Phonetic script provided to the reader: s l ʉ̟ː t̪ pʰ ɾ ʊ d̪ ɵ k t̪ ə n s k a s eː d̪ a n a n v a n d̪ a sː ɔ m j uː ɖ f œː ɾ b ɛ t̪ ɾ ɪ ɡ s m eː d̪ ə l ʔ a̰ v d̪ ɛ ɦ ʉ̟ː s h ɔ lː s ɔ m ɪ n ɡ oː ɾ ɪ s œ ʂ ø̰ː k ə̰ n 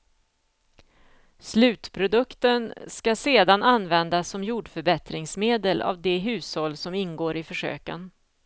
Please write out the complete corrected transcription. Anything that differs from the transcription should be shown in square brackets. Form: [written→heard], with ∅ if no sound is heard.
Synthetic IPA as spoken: s l ʉ̟ː t̪ pʰ ɾ ʊ d̪ ɵ k t̪ ə n s k a s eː d̪ a n a n v [a→ɛ] n d̪ a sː ɔ m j uː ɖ f [œː→œ] ɾ b ɛ t̪ ɾ ɪ [ɡ→ŋ] s m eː d̪ ə l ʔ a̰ v d̪ ɛ ɦ ʉ̟ː s h ɔ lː s ɔ m ɪ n ɡ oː ɾ ɪ [s→f] œ ʂ ø̰ː k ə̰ n

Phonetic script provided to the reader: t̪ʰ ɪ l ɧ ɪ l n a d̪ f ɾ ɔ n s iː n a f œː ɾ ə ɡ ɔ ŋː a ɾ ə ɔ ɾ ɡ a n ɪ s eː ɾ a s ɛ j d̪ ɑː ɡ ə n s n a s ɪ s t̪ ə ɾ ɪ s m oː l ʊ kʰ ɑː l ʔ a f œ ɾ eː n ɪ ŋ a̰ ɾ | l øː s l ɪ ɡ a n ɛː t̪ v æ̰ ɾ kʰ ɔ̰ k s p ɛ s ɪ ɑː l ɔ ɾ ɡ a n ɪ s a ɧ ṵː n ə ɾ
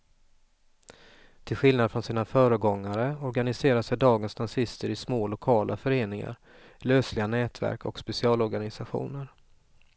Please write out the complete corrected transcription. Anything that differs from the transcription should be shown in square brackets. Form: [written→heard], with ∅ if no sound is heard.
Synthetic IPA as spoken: t̪ʰ ɪ l ɧ ɪ l n a d̪ f ɾ ɔ n s iː n a f œː ɾ ə ɡ ɔ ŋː a ɾ ə ɔ ɾ ɡ a n ɪ s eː ɾ a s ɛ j d̪ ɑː ɡ ə n s n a s ɪ s t̪ ə ɾ ɪ s m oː l ʊ kʰ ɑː l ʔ a f œ ɾ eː n ɪ ŋ a̰ ɾ | l øː s l ɪ ɡ a n ɛː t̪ v æ̰ ɾ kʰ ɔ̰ k s p ɛ s ɪ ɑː l ɔ ɾ ɡ a n ɪ s a ɧ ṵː n ə ɾ

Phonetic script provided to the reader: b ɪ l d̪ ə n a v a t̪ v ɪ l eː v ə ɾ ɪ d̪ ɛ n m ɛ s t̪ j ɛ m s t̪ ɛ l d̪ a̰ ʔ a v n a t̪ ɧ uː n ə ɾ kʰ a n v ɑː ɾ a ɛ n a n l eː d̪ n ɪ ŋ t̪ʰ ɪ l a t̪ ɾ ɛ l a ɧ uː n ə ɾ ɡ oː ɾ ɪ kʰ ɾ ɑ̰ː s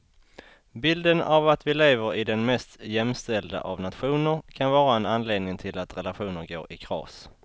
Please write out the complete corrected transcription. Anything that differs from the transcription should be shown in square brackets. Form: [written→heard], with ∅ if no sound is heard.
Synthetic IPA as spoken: b ɪ l d̪ ə n a v a t̪ v ɪ l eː v ə ɾ ɪ d̪ ɛ n m ɛ s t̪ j ɛ m s t̪ ɛ l d̪ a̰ ʔ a v n a t̪ ɧ uː n ə ɾ kʰ a n v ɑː ɾ a ɛ n a n l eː d̪ n ɪ ŋ t̪ʰ ɪ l a t̪ ɾ ɛ l a ɧ uː n ə ɾ ɡ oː ɾ ɪ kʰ ɾ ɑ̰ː s

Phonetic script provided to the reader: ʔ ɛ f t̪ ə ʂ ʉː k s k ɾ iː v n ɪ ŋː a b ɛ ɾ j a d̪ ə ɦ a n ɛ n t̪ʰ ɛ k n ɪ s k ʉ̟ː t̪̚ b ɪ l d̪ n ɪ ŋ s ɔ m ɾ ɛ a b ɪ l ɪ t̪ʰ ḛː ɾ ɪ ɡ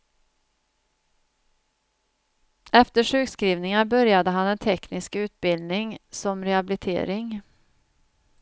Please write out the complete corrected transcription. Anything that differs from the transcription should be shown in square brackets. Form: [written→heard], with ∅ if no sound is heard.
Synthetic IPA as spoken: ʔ ɛ f t̪ ə ʂ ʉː k s k ɾ iː v n ɪ [ŋː→ŋ] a b [ɛ→œ] ɾ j a d̪ ə ɦ a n ɛ n t̪ʰ ɛ k n ɪ s k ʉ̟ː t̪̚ b ɪ l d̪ n ɪ ŋ s ɔ m ɾ ɛ a b ɪ l ɪ t̪ʰ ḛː ɾ ɪ [ɡ→ŋ]

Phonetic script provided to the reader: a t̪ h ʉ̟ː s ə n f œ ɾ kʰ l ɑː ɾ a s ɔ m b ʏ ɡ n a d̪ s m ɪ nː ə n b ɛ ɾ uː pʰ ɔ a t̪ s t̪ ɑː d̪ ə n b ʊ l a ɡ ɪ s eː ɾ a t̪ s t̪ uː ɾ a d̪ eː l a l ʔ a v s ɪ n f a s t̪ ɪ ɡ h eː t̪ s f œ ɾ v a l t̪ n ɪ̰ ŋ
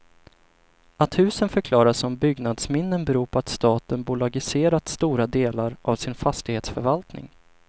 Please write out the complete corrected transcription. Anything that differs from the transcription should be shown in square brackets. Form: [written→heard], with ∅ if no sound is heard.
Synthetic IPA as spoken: a t̪ h ʉ̟ː s ə n f œ ɾ kʰ l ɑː ɾ a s ɔ m b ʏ ɡ n a d̪ s m ɪ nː ə n b ɛ ɾ uː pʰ ɔ a t̪ s t̪ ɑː [d̪→t̪] ə n b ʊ l a ɡ ɪ s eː ɾ a t̪ s t̪ uː ɾ a d̪ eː l a [l→ɾ] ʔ a v s ɪ n f a s t̪ ɪ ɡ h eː t̪ s f œ ɾ v a l t̪ n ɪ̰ ŋ

